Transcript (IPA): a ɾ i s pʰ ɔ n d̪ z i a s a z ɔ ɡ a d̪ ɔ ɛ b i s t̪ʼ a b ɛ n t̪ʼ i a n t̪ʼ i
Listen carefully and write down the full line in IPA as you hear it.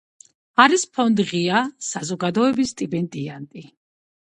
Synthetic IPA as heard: a ɾ i s pʰ ɔ n d̪ ʁ i a s a z ɔ ɡ a d̪ ɔ ɛ b i s t̪ʼ i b ɛ n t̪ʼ i a n t̪ʼ i